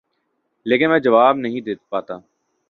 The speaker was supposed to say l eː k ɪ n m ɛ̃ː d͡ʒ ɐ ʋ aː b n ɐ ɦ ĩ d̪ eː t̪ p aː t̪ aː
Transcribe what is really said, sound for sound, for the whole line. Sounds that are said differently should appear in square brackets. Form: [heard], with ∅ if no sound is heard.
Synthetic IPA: l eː k ɪ n m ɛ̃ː d͡ʒ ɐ ʋ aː b n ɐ ɦ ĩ d̪ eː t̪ p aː t̪ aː